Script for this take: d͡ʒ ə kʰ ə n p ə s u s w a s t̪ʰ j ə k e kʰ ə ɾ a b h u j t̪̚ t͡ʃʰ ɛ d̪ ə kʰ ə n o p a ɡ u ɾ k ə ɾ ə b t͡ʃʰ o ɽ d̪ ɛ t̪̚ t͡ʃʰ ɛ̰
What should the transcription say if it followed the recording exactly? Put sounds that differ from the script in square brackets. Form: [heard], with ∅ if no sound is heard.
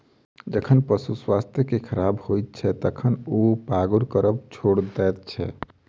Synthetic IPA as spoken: d͡ʒ ə kʰ ə n p ə s u s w a s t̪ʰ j ə k e kʰ ə ɾ a b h [o] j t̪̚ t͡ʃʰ ɛ [t̪] ə kʰ ə n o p a ɡ u ɾ k ə ɾ ə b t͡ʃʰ o ɽ d̪ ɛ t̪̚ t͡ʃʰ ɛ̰